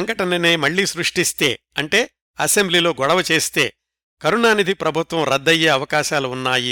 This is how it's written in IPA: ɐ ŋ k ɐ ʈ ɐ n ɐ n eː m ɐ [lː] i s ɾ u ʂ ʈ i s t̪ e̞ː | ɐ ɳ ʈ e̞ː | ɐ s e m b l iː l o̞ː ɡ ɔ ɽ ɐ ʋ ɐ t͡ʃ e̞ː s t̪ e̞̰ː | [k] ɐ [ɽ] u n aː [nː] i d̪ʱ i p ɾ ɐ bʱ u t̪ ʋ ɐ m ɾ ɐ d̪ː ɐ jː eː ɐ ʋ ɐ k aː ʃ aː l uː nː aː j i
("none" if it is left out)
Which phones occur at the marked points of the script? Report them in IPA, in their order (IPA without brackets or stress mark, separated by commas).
ɭː, k, ɾ, n